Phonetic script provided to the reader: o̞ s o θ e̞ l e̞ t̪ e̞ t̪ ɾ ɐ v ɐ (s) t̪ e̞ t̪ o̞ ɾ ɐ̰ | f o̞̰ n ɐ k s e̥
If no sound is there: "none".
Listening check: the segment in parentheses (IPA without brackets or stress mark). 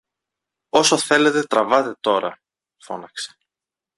none